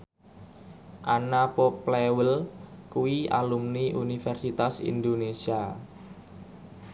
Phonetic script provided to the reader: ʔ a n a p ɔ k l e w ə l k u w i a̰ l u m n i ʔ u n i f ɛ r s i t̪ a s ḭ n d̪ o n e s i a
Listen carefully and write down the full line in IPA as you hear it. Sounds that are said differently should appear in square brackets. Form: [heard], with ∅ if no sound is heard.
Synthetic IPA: ʔ a n a p ɔ [p] l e w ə l k u w i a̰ l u m n i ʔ u n i f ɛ r s i t̪ a s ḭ n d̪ o n e s i a